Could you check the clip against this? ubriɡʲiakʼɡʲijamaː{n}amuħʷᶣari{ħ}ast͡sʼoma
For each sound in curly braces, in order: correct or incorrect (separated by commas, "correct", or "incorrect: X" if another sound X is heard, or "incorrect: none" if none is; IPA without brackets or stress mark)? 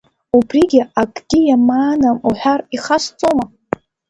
correct, incorrect: χ